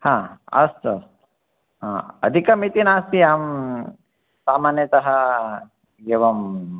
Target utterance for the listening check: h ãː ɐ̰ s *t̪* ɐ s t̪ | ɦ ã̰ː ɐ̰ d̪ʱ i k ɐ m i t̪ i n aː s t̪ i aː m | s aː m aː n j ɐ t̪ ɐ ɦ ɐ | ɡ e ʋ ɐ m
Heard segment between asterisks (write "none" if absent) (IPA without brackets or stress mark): t̪